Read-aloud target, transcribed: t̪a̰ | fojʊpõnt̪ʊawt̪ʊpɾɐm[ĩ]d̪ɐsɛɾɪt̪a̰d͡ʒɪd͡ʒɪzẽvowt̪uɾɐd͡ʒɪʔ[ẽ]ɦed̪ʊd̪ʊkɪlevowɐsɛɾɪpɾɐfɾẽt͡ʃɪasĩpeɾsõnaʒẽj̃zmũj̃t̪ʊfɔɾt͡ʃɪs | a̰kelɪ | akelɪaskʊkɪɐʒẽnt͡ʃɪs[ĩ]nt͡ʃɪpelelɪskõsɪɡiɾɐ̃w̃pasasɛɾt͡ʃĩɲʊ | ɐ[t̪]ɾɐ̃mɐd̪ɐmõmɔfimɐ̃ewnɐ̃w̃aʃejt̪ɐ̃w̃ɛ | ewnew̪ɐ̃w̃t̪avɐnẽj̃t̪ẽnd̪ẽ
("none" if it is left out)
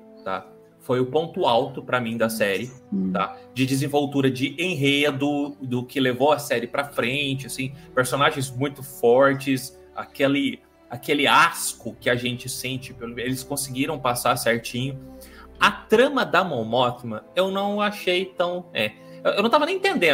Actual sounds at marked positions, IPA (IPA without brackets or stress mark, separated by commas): ĩ, ẽ, ẽ, t̪